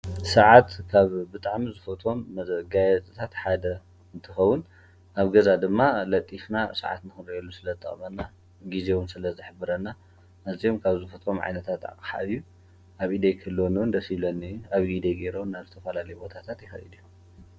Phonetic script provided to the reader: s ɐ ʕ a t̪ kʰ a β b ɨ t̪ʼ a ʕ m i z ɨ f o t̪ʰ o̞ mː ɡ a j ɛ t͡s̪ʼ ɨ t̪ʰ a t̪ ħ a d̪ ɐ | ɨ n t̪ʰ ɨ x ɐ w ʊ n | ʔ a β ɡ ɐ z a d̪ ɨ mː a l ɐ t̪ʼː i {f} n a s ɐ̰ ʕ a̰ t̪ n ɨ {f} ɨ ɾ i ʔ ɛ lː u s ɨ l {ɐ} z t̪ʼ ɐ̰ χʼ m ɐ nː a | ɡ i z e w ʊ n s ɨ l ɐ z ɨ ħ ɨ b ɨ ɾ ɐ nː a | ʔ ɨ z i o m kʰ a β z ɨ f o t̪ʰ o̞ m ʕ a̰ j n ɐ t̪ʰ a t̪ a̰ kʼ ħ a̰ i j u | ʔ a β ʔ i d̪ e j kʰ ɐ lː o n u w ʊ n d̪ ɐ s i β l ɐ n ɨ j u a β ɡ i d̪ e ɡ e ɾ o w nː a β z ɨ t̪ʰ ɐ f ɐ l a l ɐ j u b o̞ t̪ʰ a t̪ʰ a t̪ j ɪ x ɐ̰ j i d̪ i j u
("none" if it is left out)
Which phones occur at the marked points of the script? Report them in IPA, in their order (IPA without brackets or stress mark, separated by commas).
f, x, ɐ